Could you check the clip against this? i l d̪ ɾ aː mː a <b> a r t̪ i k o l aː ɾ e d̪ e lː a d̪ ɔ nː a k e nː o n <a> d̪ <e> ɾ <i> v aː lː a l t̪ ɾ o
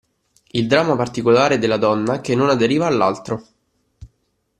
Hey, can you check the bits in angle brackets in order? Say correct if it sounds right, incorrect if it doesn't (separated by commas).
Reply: incorrect, correct, correct, incorrect